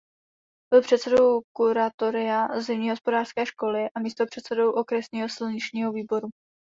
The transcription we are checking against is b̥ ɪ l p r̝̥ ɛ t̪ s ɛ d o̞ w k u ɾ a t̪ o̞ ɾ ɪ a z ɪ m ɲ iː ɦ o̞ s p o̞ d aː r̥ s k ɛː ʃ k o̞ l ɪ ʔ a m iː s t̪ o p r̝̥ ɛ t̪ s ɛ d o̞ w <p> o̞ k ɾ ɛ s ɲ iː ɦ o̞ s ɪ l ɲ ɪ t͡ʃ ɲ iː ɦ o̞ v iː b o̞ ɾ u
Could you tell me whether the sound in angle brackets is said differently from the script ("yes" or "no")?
yes